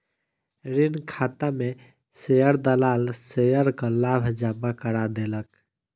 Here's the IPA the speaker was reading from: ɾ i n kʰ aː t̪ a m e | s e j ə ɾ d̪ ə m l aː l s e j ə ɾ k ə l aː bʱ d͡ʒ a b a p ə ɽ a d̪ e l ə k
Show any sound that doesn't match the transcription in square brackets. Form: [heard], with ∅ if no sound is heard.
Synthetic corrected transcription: ɾ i n kʰ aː t̪ a m e | s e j ə ɾ d̪ ə [∅] l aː l s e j ə ɾ k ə l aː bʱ d͡ʒ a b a [k] ə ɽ a d̪ e l ə k